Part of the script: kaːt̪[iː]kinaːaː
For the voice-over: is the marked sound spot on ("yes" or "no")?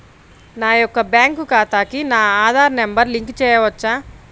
no